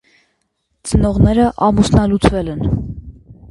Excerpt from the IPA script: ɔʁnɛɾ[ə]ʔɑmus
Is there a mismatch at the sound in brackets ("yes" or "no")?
no